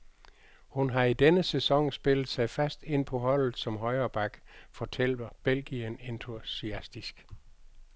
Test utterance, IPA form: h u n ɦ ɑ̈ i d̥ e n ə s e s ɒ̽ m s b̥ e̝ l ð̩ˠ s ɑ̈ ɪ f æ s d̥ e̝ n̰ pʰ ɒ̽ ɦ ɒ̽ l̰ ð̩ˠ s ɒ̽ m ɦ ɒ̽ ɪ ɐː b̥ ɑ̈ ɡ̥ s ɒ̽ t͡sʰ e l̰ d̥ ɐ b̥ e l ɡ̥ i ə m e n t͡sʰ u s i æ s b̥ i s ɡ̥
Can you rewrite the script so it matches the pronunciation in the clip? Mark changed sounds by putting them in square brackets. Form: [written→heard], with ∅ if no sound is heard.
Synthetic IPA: h u n ɦ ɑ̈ i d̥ e n ə s e s ɒ̽ [m→ŋ] s b̥ e̝ l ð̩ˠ s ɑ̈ ɪ f æ s d̥ e̝ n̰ pʰ ɒ̽ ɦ ɒ̽ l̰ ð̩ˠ s ɒ̽ m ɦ ɒ̽ ɪ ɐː b̥ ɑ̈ ɡ̥ [s→f] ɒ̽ t͡sʰ e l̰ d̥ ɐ b̥ e l ɡ̥ i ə [m→n] e n t͡sʰ u s i æ s [b̥→d̥] i s ɡ̥